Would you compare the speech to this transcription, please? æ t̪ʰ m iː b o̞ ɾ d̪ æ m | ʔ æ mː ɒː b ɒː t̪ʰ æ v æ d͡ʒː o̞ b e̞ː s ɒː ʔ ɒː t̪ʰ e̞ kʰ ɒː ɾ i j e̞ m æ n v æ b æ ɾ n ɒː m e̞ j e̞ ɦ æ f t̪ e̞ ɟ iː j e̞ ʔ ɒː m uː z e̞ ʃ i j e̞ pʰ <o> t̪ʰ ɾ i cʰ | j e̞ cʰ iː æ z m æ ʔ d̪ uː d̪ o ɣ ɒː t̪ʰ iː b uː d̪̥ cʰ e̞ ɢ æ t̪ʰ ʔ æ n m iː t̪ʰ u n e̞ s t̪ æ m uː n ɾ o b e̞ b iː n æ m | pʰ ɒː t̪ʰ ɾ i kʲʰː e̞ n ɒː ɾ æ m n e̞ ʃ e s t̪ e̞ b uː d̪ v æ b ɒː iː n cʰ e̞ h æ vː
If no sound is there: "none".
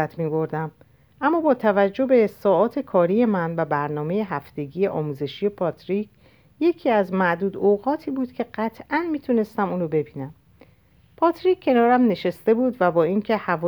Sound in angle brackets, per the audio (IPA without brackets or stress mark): ɒ